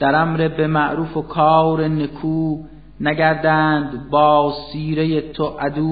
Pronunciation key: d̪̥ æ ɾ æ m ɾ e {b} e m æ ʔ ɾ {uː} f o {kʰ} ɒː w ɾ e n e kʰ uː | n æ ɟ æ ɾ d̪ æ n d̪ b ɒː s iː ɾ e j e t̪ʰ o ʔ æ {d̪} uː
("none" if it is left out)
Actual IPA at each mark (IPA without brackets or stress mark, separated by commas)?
b, uː, kʰ, d̪